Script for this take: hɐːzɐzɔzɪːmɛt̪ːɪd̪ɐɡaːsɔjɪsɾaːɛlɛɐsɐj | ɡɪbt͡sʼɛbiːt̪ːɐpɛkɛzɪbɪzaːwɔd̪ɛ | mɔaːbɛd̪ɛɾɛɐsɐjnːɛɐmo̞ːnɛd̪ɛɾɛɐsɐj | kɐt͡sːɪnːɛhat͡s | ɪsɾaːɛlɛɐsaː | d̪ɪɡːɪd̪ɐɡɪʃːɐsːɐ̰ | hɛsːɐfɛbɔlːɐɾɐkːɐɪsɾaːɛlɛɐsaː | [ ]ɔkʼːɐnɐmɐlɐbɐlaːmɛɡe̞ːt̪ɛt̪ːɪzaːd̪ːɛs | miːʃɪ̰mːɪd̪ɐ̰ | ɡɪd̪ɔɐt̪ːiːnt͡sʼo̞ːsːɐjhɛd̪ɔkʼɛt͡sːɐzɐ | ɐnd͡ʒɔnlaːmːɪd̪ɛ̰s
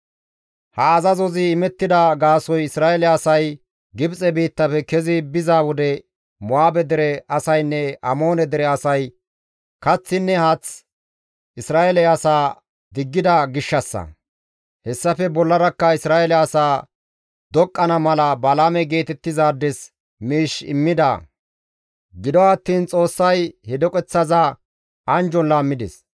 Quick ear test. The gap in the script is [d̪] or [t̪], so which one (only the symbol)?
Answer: d̪